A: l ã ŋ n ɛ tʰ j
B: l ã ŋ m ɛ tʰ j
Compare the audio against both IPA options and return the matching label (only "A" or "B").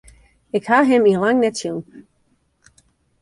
A